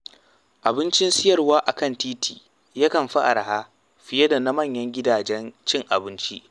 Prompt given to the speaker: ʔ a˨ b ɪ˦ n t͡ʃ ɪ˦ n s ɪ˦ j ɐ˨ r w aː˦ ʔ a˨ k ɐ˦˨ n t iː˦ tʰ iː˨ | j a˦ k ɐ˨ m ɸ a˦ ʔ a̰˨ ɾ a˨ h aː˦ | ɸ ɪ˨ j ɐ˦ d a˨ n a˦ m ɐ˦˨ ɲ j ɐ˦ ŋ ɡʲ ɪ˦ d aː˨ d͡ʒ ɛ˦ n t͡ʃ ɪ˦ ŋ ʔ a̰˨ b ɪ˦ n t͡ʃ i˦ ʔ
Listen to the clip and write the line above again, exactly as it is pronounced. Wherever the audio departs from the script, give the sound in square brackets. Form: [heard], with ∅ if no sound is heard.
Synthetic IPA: ʔ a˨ b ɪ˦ n t͡ʃ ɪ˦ n s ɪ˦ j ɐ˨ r w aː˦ ʔ a˨ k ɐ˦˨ n t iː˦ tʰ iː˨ | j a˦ k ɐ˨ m ɸ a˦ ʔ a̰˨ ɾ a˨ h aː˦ | ɸ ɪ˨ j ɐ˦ d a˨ n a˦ m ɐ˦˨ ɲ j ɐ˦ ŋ ɡʲ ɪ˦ d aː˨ d͡ʒ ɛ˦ n t͡ʃ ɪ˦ ŋ ʔ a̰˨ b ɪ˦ n t͡ʃ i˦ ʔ